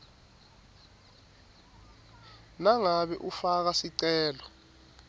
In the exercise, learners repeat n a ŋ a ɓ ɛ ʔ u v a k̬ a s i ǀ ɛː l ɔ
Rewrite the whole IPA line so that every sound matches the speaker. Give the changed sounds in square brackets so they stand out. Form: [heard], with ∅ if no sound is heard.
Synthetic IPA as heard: n a ŋ a ɓ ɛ ʔ u [f] a k̬ a s i ǀ ɛː l ɔ